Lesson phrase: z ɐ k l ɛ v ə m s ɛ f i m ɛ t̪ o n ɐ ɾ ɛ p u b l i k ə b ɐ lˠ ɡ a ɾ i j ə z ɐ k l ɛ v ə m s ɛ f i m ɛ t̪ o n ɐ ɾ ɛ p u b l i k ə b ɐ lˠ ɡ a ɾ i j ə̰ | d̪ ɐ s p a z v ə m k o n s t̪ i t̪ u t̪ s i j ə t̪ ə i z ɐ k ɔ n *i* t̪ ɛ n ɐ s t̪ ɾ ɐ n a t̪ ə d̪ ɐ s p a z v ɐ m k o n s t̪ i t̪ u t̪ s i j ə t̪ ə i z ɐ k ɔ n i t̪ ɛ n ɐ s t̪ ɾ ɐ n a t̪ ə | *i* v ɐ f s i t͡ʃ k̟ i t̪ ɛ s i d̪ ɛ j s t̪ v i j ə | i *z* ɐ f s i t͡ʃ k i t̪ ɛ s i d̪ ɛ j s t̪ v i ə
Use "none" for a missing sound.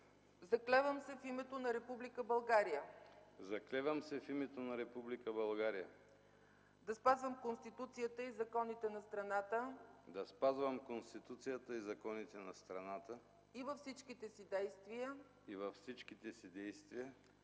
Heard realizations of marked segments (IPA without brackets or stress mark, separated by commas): i, i, v